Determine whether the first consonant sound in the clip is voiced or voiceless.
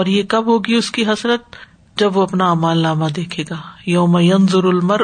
voiced